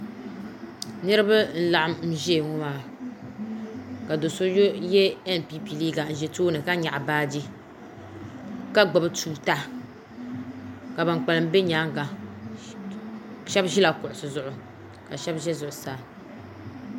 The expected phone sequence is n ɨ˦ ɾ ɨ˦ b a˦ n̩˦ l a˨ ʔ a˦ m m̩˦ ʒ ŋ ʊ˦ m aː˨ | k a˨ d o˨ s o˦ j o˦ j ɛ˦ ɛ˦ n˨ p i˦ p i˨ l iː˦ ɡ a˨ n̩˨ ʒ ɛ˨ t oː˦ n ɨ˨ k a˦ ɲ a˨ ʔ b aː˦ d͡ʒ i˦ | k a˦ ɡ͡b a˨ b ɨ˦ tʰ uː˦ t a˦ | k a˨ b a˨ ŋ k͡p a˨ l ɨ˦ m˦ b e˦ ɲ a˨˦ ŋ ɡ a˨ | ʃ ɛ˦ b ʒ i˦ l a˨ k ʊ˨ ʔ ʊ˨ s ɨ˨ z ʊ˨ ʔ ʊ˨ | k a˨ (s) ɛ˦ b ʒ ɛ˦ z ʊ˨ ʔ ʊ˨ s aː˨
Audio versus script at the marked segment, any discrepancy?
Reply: yes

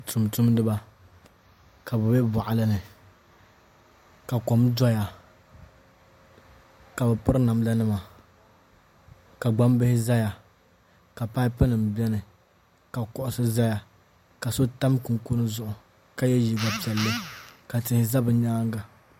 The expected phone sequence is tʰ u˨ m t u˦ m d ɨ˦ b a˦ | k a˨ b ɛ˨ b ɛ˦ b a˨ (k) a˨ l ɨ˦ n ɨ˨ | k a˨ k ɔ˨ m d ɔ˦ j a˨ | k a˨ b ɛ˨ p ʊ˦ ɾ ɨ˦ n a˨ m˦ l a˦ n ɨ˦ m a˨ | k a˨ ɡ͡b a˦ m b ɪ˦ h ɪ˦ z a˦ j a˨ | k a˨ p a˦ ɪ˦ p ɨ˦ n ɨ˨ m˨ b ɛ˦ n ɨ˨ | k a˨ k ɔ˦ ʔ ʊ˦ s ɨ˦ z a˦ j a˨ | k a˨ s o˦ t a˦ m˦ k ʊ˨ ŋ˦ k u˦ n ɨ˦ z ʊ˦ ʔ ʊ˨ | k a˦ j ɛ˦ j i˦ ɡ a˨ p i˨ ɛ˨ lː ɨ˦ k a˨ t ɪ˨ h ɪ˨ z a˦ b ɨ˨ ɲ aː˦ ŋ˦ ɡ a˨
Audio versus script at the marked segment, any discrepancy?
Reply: yes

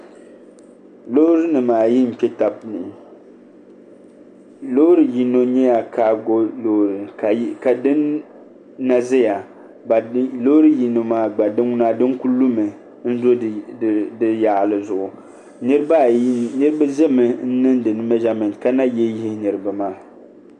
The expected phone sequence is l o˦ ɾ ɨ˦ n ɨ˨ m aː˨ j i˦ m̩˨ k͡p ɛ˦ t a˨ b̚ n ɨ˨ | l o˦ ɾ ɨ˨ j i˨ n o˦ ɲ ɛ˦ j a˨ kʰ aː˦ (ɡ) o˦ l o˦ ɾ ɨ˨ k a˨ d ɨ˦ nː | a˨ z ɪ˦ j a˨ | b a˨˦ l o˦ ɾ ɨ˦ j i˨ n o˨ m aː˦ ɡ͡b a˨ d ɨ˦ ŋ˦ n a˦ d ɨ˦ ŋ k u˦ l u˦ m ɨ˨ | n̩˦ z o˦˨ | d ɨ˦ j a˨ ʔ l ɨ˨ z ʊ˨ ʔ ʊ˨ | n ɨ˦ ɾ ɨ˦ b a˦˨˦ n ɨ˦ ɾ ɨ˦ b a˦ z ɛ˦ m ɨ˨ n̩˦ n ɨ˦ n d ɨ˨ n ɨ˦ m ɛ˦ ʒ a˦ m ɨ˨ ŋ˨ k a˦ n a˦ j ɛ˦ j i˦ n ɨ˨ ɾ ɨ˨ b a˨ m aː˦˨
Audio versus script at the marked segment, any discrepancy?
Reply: no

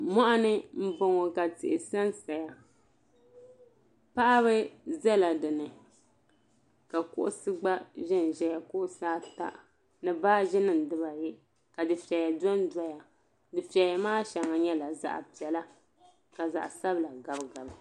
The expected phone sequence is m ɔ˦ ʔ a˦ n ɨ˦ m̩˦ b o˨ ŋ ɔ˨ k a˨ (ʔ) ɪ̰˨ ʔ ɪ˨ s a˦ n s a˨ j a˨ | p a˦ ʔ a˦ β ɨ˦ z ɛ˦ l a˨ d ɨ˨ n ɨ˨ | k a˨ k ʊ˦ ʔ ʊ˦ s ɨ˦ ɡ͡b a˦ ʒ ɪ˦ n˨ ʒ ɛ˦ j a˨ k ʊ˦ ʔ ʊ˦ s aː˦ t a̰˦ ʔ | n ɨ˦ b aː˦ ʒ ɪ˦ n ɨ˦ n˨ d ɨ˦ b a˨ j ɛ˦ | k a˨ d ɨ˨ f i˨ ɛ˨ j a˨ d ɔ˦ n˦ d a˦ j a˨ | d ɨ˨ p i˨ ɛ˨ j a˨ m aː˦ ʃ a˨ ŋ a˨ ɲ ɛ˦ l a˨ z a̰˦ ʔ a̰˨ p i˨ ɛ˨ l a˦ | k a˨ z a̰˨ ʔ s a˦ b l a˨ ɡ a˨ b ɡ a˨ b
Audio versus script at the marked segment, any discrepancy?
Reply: yes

